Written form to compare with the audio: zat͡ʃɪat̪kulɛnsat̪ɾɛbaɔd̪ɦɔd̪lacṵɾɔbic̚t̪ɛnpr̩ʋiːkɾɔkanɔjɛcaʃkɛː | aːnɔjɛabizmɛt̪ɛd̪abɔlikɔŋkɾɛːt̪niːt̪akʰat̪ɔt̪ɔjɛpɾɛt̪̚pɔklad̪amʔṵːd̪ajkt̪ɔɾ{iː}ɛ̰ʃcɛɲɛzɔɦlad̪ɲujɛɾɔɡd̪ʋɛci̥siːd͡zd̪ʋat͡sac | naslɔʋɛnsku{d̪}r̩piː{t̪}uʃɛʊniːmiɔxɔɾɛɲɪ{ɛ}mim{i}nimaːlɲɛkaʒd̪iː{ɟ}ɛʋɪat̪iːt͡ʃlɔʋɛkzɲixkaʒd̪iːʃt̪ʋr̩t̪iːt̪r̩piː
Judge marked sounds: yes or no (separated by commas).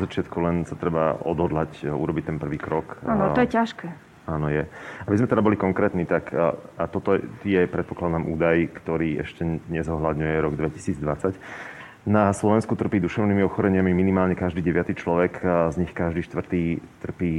yes, no, no, no, yes, yes